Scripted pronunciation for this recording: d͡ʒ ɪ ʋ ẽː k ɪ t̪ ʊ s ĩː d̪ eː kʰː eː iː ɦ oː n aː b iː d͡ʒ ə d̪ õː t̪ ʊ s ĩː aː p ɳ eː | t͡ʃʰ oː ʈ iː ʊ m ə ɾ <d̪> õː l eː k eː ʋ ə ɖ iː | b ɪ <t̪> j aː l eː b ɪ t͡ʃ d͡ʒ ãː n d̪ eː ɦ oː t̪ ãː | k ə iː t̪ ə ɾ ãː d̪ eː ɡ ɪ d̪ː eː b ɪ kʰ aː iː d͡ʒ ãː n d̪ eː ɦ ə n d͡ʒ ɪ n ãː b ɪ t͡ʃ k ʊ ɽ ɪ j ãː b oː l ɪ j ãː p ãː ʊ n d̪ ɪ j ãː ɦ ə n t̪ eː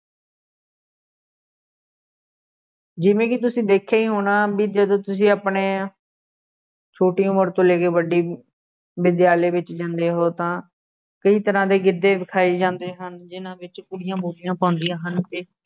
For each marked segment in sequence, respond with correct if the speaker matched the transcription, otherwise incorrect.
incorrect: t̪, incorrect: d̪

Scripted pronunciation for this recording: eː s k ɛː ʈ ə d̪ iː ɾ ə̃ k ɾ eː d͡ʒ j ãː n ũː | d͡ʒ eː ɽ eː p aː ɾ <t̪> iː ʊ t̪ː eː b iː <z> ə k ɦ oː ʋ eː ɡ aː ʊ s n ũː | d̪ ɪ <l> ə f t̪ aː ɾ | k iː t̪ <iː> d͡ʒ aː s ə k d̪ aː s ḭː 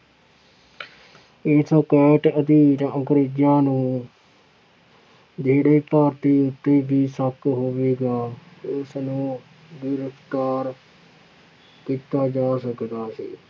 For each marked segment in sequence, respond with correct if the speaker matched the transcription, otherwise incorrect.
correct, incorrect: s, incorrect: ɾ, incorrect: aː

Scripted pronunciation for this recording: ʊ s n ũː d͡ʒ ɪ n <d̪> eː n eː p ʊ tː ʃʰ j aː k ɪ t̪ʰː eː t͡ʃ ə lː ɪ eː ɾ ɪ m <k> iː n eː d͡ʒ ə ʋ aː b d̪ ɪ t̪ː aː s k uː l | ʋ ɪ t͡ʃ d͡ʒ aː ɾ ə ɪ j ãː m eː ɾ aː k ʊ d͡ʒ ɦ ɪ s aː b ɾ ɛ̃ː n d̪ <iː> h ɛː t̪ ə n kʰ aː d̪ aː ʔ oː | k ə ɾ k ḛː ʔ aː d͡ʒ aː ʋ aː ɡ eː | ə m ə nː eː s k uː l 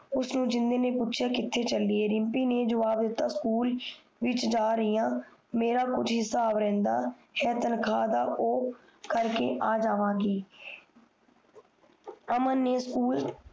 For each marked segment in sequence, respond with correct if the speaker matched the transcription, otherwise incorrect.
correct, incorrect: p, incorrect: aː

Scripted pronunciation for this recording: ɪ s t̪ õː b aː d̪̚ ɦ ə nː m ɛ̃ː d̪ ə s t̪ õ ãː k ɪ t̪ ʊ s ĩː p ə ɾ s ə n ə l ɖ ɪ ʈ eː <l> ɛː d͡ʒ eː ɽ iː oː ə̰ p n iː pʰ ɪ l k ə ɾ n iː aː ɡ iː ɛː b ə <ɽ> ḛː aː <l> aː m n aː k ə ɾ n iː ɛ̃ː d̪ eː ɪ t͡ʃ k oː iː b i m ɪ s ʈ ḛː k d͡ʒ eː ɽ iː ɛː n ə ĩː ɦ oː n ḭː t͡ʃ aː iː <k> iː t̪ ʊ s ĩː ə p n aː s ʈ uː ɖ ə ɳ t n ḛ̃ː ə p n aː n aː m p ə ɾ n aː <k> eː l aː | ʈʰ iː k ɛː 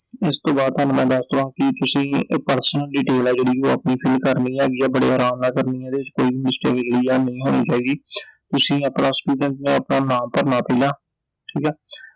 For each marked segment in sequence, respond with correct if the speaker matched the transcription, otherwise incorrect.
correct, correct, incorrect: ɾ, incorrect: ɡ, incorrect: p

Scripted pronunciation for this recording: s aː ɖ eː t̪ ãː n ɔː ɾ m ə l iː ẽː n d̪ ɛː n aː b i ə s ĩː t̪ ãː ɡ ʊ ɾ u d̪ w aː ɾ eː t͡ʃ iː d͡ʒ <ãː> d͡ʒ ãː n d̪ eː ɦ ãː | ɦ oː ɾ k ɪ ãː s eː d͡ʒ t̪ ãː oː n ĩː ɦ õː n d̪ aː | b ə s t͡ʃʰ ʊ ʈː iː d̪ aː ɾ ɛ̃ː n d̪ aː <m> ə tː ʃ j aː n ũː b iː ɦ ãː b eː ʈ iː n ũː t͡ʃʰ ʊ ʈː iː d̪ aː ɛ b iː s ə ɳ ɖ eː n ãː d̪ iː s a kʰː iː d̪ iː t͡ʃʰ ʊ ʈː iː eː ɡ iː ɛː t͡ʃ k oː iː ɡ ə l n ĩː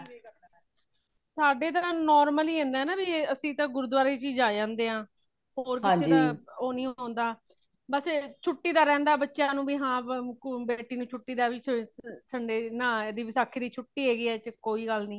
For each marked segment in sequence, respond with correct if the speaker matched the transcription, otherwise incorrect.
incorrect: aː, incorrect: b

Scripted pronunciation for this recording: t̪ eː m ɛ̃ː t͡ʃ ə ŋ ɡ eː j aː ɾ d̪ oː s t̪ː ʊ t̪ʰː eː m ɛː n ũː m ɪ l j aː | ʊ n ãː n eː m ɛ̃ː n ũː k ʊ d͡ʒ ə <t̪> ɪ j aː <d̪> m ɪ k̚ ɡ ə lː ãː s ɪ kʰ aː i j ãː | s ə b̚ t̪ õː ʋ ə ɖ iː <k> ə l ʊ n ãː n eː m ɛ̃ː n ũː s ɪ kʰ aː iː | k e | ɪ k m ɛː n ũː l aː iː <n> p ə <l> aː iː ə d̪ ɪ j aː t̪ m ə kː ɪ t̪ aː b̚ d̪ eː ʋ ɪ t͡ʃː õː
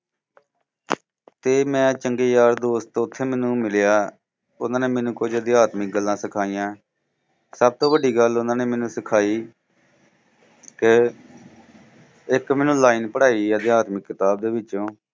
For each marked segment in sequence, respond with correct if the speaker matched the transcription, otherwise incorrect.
incorrect: d̪, incorrect: t̪, incorrect: ɡ, correct, incorrect: ɽ

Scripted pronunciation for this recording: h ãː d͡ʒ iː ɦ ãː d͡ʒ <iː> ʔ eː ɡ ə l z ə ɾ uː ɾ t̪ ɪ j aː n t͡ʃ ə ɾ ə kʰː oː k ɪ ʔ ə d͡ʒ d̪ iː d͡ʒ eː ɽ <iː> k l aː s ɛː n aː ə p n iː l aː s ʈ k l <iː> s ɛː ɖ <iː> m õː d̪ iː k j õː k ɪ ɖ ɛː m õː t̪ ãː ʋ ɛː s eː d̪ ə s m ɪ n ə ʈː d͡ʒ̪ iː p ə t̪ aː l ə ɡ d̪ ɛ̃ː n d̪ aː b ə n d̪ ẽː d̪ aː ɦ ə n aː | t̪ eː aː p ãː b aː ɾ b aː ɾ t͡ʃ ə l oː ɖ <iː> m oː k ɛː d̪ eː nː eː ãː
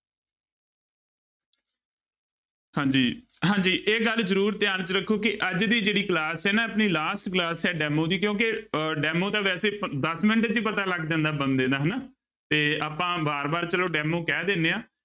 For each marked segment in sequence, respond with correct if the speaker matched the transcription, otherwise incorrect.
correct, correct, incorrect: aː, incorrect: ɛː, incorrect: ɛː

